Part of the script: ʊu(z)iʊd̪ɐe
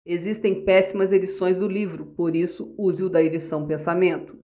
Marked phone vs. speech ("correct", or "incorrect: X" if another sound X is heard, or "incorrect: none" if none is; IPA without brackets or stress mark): correct